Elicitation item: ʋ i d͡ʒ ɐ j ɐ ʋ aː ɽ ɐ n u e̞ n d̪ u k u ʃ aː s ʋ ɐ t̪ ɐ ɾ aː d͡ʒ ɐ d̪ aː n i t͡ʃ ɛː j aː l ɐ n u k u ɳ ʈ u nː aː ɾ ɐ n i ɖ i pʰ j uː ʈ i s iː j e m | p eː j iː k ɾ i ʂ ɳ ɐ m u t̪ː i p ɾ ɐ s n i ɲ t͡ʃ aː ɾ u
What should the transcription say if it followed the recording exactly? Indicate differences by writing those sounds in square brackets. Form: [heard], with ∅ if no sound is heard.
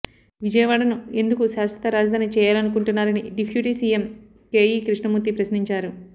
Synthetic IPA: ʋ i d͡ʒ ɐ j ɐ ʋ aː ɽ ɐ n u e̞ n d̪ u k u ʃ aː s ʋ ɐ t̪ ɐ ɾ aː d͡ʒ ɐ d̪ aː n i t͡ʃ ɛː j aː l ɐ n u k u ɳ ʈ u nː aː ɾ ɐ n i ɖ i pʰ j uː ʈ i s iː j e m | [k] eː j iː k ɾ i ʂ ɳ ɐ m u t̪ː i p ɾ ɐ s n i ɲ t͡ʃ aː ɾ u